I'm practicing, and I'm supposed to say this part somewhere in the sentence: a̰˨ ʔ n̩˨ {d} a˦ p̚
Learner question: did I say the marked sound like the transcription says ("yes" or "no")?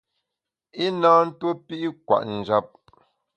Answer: no